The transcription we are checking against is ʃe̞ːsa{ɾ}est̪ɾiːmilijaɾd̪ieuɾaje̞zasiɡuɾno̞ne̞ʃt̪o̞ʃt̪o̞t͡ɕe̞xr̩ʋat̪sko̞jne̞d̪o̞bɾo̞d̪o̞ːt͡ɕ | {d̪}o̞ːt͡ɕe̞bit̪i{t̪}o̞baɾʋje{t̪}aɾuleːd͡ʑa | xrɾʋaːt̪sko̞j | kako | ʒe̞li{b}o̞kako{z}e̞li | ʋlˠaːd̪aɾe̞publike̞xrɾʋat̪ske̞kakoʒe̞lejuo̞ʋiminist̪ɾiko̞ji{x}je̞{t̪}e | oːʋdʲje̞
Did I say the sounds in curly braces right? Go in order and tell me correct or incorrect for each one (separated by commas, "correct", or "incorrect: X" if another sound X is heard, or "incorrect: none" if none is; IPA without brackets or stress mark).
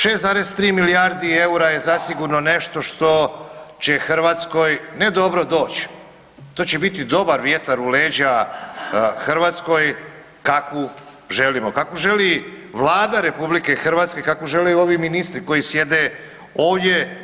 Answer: correct, incorrect: t̪, incorrect: d̪, correct, incorrect: m, incorrect: ʒ, incorrect: s, incorrect: d̪